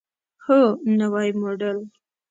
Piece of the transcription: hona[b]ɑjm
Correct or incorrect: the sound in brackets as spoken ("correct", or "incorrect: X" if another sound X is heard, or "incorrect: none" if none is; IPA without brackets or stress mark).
incorrect: w